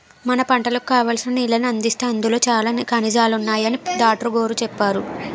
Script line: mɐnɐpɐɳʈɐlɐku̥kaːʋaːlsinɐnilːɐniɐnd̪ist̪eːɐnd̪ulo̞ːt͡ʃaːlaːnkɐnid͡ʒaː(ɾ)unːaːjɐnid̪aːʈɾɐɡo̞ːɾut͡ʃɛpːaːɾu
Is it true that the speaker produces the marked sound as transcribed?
no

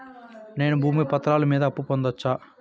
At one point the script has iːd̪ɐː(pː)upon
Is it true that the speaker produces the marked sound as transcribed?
yes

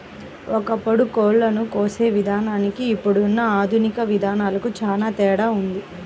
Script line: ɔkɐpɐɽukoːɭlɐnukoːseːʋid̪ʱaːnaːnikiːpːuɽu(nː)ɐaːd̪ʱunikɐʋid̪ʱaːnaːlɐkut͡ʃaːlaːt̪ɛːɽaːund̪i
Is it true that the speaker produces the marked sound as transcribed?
yes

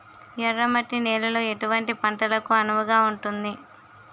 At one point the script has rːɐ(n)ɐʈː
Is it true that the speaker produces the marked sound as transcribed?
no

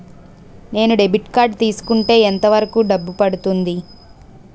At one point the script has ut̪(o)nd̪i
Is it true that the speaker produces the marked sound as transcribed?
no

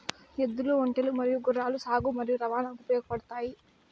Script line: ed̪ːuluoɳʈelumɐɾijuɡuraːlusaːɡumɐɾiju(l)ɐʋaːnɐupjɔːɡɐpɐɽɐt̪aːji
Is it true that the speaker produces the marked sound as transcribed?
no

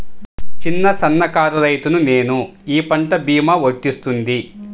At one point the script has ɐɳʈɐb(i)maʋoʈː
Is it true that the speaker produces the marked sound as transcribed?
no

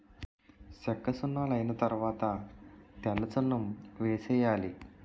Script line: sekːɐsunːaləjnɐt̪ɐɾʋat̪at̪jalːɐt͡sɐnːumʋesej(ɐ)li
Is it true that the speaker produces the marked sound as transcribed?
no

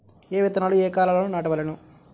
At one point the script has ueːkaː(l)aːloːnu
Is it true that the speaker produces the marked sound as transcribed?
yes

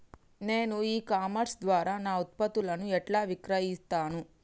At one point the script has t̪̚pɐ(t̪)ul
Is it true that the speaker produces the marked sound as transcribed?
yes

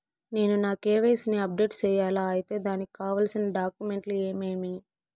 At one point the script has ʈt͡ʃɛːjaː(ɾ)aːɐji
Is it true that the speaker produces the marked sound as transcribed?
no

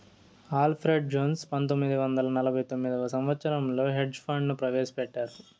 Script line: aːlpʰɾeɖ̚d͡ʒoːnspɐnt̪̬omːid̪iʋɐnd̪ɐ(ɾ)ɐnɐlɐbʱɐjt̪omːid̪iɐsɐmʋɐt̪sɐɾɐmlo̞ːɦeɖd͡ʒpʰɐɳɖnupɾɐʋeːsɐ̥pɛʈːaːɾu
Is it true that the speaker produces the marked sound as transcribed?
no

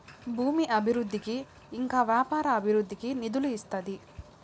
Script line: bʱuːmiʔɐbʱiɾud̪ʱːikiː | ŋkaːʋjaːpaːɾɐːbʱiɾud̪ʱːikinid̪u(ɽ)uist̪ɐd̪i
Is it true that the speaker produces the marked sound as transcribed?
no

